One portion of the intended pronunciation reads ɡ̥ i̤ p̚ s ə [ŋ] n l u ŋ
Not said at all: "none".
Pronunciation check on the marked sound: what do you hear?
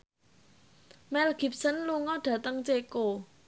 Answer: none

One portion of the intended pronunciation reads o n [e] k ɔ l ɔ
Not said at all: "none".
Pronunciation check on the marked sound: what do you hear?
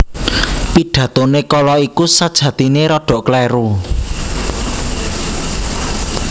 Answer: e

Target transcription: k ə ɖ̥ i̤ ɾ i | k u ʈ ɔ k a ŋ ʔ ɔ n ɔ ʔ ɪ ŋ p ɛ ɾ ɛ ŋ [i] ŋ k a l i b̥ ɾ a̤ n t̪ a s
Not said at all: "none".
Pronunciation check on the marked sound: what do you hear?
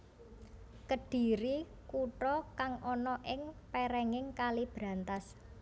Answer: ɪ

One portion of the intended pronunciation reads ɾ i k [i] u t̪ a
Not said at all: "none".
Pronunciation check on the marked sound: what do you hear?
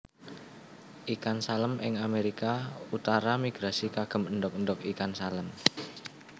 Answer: a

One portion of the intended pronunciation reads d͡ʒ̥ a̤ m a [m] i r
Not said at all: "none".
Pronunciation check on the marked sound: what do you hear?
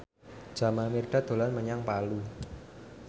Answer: m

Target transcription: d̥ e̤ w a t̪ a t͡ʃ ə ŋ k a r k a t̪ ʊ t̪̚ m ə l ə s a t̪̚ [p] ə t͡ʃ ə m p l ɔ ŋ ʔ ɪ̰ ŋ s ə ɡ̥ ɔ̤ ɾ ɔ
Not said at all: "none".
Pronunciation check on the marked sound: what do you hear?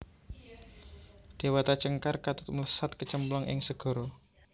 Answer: k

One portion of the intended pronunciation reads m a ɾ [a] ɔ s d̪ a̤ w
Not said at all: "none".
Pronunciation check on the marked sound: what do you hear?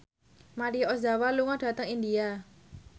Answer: i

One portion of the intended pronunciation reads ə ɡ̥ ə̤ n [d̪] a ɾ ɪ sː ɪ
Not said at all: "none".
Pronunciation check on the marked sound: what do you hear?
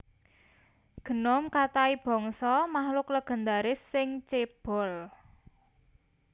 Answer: d̪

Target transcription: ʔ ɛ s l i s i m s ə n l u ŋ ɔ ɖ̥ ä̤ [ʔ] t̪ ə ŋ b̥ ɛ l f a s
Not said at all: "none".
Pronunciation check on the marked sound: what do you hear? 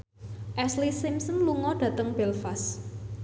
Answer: none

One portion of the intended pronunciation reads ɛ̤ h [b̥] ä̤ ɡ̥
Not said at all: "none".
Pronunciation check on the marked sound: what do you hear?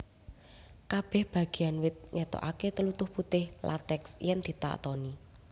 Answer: b̥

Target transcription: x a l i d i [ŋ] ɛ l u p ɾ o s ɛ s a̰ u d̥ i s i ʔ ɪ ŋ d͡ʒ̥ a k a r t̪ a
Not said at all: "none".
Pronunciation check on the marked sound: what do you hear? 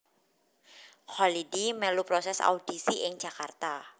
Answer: m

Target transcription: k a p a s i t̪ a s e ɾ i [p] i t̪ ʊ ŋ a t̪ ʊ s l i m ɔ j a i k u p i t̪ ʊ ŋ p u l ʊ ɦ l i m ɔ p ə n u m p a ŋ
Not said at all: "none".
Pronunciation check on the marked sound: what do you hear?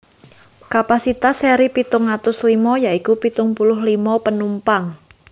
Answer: p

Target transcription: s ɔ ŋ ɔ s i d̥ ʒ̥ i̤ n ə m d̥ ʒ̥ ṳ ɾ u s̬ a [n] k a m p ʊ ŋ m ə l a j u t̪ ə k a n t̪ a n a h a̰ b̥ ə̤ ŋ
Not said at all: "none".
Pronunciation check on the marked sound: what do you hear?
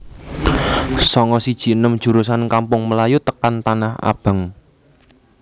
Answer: n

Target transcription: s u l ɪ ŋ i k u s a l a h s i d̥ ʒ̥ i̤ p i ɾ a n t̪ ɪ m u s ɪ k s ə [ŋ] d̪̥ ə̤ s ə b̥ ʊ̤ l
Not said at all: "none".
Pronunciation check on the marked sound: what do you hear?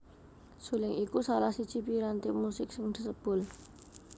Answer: ŋ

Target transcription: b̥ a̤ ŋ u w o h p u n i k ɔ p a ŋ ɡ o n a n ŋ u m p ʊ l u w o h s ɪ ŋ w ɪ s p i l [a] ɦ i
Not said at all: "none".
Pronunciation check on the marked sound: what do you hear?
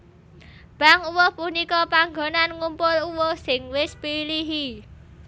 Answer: i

